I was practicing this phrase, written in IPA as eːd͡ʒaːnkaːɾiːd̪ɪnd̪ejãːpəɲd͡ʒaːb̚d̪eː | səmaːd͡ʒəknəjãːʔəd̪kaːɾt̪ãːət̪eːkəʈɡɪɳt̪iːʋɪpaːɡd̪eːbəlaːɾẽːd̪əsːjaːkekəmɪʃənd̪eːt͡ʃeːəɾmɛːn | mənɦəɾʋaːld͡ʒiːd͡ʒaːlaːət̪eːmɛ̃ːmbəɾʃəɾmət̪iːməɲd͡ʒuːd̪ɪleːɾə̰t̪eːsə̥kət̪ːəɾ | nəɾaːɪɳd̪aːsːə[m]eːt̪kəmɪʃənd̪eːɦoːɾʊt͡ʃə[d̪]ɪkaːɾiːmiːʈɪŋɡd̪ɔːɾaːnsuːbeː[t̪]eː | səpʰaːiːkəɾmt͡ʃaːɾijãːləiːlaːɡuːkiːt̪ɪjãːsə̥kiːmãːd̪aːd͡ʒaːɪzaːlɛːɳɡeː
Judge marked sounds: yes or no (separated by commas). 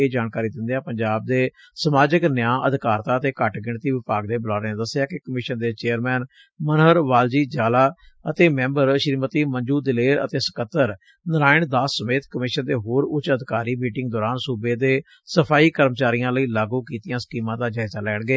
yes, yes, no